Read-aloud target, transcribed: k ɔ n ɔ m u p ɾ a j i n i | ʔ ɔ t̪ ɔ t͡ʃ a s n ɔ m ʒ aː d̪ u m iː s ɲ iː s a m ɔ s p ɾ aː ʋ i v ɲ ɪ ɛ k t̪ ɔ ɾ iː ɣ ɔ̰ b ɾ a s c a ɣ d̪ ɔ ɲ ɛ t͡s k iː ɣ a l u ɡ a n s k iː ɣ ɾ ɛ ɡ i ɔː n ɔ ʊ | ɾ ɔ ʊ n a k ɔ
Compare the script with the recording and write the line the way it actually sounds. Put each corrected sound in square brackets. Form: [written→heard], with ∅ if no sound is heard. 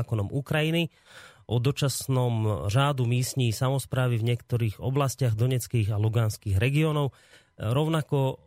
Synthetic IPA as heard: k ɔ n ɔ m u [p→k] ɾ a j i n i | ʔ ɔ [t̪→d̪] ɔ t͡ʃ a s n ɔ m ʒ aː d̪ u m iː s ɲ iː s a m ɔ s p ɾ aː ʋ i v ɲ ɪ ɛ k t̪ ɔ ɾ iː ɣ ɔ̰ b [ɾ→l] a s c a ɣ d̪ ɔ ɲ ɛ t͡s k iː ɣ a l u ɡ a n s k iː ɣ ɾ ɛ ɡ i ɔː n ɔ ʊ | ɾ ɔ ʊ n a k ɔ